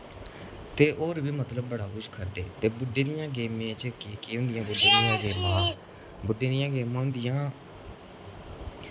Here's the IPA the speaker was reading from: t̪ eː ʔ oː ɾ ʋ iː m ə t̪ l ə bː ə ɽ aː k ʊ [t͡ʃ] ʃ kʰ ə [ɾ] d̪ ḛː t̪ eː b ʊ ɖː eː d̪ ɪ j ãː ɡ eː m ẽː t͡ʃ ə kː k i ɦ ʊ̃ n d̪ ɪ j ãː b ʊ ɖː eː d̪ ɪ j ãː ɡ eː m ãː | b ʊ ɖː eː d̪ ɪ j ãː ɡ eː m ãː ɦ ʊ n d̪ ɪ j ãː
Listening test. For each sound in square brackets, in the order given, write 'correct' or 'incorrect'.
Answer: incorrect: none, correct

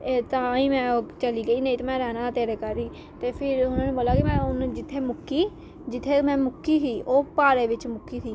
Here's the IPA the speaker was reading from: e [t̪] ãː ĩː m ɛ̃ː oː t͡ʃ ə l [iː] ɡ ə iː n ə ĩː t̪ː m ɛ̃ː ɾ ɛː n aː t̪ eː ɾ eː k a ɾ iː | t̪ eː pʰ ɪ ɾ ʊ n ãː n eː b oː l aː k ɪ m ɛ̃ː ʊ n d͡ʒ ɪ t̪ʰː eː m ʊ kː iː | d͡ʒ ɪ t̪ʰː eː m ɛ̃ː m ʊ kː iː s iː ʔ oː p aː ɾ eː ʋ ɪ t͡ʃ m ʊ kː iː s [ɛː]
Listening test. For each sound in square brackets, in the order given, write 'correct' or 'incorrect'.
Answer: correct, correct, incorrect: iː

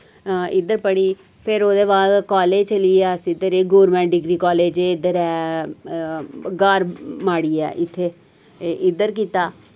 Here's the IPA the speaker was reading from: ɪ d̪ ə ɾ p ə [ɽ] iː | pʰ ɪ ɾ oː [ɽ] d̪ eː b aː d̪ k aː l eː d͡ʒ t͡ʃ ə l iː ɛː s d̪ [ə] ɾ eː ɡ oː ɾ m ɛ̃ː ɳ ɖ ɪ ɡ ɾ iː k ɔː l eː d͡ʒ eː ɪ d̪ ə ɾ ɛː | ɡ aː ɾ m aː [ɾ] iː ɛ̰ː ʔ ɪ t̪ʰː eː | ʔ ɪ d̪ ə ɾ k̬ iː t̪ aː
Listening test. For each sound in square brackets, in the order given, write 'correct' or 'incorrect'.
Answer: correct, incorrect: none, correct, incorrect: ɽ

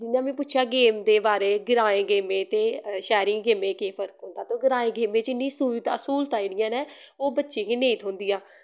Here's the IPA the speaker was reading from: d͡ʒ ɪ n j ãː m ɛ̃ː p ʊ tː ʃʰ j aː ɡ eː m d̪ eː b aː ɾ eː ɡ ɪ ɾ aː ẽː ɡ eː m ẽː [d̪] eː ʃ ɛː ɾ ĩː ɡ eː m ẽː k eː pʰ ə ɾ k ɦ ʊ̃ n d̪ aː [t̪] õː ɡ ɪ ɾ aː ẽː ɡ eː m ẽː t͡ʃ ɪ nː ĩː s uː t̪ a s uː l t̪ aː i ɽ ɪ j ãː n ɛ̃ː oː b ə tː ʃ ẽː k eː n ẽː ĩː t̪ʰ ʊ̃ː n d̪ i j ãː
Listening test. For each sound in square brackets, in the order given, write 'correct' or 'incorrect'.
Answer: incorrect: t̪, correct

